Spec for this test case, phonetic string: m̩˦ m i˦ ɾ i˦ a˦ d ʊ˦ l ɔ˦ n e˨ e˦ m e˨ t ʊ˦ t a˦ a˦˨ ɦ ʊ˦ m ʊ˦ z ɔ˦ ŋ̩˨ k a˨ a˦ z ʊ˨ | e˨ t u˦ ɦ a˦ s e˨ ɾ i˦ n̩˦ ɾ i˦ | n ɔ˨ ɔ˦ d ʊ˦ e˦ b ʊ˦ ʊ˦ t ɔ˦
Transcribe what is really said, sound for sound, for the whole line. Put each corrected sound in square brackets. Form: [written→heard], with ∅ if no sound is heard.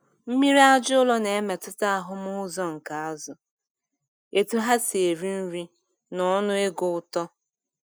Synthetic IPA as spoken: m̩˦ m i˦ ɾ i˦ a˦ [d→d͡ʒ] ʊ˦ l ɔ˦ n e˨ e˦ m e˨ t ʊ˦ t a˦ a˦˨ ɦ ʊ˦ m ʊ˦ z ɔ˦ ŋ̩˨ k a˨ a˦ z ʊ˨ | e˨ t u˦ ɦ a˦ s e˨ ɾ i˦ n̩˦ ɾ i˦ | n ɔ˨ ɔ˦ [d→n] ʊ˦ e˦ [b→ɡ] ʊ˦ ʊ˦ t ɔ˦